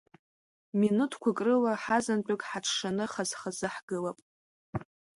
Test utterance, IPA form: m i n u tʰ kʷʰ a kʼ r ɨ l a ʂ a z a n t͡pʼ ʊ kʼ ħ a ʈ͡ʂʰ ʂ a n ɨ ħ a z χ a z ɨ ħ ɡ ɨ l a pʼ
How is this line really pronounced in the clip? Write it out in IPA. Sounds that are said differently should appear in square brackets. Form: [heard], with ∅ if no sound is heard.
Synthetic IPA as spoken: m i n u tʰ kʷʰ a kʼ r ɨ l a [ħ] a z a n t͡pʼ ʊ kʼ ħ a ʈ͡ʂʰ ʂ a n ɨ [χ] a z χ a z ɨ ħ ɡ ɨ l a pʼ